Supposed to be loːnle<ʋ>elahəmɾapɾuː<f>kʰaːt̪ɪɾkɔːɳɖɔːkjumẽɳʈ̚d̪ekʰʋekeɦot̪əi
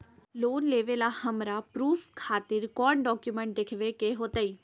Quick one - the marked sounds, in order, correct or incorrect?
correct, correct

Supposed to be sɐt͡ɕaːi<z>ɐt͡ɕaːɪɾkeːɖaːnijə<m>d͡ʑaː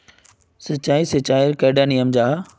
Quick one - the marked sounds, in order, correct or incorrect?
incorrect: s, correct

